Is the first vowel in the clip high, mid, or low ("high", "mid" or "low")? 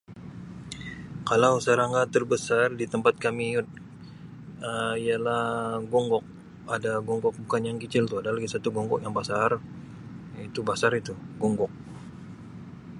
low